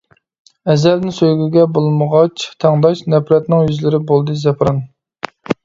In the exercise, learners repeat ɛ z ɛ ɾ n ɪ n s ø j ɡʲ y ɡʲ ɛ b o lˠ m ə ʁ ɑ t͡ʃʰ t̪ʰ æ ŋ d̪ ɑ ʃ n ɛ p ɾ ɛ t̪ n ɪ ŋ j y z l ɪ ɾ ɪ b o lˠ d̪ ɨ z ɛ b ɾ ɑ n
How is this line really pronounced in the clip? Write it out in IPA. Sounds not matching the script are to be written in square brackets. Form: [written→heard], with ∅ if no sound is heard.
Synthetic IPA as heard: ɛ z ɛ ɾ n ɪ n s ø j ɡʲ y ɡʲ ɛ b o lˠ m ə ʁ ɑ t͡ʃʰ t̪ʰ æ ŋ d̪ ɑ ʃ n ɛ p ɾ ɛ t̪ n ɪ ŋ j y z l ɪ ɾ ɪ b o lˠ d̪ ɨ z ɛ [b→p] ɾ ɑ n